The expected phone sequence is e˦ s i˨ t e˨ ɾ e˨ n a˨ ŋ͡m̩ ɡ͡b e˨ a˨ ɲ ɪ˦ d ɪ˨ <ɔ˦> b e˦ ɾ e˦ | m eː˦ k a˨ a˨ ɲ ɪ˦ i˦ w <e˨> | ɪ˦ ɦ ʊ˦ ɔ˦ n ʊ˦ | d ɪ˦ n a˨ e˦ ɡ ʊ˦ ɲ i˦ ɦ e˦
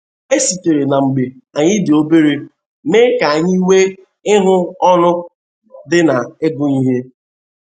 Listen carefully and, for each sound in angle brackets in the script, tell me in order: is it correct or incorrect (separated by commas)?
incorrect, incorrect